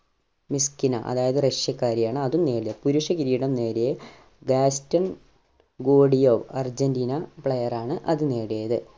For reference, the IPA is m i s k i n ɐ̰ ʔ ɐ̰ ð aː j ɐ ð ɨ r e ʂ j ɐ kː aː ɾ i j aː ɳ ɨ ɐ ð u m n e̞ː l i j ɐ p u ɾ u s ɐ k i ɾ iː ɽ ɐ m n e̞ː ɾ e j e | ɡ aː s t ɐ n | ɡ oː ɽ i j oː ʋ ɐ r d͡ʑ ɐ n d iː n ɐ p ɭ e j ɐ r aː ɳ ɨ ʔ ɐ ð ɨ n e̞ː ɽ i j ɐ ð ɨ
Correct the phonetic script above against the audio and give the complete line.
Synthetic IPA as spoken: m i s k i n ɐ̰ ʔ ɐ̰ ð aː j ɐ ð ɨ r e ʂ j ɐ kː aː ɾ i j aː ɳ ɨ ɐ ð u m n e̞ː ɽ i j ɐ p u ɾ u ʂ ɐ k i ɾ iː ɽ ɐ m n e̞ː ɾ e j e | ɡ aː s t ɐ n | ɡ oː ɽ i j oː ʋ ɐ r d͡ʑ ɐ n d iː n ɐ p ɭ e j ɐ r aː ɳ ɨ ʔ ɐ ð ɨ n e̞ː ɽ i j ɐ ð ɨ